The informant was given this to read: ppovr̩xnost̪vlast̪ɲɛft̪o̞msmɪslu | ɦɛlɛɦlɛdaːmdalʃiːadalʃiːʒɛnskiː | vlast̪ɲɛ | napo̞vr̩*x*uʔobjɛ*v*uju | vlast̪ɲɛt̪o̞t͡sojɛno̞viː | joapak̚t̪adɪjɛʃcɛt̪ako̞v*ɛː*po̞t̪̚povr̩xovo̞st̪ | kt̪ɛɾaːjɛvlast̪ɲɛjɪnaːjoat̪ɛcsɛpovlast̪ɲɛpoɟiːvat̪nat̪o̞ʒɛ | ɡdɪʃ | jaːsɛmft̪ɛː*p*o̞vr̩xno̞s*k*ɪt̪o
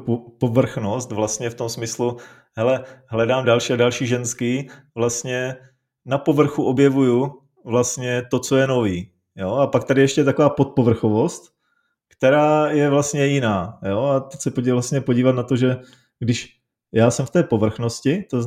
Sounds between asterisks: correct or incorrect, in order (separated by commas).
correct, correct, incorrect, correct, incorrect